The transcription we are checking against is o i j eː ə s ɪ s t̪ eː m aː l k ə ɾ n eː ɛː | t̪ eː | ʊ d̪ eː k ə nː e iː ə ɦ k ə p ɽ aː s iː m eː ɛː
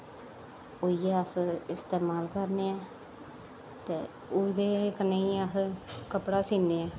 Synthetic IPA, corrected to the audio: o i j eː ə s ɪ s t̪ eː m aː l k ə ɾ n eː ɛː | t̪ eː | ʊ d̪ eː k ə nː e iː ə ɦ k ə p ɽ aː s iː n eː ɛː